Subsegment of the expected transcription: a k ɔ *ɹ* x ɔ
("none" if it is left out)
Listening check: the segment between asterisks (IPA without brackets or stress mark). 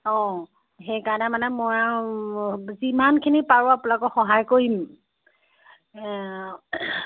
none